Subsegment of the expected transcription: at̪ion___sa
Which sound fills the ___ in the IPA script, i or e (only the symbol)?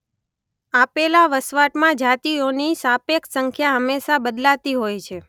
i